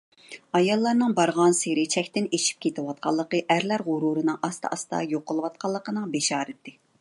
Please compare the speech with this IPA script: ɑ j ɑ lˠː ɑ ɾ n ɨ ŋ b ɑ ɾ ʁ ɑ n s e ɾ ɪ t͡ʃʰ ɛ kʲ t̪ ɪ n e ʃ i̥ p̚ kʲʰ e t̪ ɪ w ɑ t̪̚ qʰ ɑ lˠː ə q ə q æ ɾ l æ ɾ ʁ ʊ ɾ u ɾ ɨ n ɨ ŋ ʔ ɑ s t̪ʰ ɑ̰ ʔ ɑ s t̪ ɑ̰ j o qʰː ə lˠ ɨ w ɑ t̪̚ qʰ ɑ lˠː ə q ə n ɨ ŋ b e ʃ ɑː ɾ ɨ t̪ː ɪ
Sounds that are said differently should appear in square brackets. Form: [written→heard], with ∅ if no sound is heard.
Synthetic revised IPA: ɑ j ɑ lˠː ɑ ɾ n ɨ ŋ b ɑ ɾ ʁ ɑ n s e ɾ ɪ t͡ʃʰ ɛ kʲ t̪ ɪ n e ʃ i̥ p̚ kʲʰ e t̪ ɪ w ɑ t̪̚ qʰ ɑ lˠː ə q ə [q→ʔ] æ ɾ l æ ɾ ʁ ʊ ɾ u ɾ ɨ n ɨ ŋ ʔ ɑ s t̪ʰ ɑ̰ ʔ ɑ s t̪ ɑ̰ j o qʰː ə lˠ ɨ w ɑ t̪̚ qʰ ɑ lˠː ə q ə n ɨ ŋ b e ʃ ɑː ɾ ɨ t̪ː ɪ